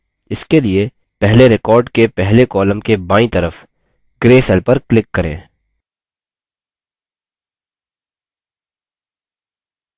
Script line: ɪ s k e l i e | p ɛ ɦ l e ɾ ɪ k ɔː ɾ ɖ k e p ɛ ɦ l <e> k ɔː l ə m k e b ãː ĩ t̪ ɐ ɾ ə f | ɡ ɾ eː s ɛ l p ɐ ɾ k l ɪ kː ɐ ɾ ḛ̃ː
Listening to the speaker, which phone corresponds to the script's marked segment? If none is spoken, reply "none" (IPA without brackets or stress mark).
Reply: e